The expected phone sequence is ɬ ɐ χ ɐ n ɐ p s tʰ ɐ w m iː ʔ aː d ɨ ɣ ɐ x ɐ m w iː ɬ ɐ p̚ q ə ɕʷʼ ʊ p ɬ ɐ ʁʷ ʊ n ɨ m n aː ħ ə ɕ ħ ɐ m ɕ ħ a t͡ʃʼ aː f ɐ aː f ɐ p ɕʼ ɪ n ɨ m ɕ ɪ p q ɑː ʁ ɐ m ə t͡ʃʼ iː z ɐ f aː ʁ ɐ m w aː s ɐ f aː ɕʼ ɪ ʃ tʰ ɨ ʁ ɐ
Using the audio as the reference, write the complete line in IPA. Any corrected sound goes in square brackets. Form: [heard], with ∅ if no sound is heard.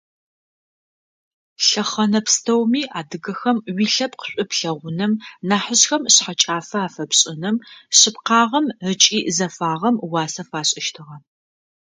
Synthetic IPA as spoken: ɬ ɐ χ ɐ n ɐ p s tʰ ɐ w m iː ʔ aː d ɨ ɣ ɐ x ɐ m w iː ɬ ɐ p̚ q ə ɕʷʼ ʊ p ɬ ɐ ʁʷ ʊ n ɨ m n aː ħ ə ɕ [x] ɐ m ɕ ħ a t͡ʃʼ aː f ɐ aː f ɐ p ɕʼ ɪ n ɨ m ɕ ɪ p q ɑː ʁ ɐ m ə t͡ʃʼ iː z ɐ f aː ʁ ɐ m w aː s ɐ f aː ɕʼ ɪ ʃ tʰ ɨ ʁ ɐ